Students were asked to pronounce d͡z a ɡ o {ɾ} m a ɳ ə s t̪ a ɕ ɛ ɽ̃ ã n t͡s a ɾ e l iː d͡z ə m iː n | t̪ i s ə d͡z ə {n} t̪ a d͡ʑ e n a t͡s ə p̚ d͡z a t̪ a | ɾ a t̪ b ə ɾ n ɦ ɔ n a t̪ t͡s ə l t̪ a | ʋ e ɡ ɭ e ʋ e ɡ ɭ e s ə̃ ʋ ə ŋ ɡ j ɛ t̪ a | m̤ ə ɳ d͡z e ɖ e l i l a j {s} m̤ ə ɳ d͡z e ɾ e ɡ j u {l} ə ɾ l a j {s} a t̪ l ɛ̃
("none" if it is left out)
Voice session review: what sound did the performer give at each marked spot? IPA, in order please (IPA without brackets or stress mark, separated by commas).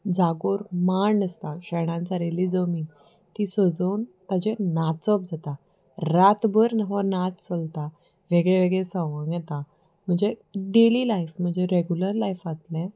ɾ, n, f, l, f